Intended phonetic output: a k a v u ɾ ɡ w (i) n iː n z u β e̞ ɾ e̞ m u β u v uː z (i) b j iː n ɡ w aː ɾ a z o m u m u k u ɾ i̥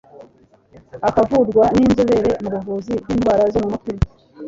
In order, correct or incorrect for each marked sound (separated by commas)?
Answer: incorrect, correct